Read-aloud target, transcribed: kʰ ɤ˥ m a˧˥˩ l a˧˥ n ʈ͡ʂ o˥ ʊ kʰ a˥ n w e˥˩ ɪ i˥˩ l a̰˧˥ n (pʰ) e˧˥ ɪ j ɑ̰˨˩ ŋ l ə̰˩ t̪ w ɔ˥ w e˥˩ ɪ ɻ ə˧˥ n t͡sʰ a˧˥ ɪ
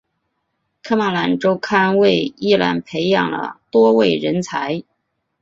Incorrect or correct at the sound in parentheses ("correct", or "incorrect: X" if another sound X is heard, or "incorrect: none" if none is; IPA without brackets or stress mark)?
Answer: correct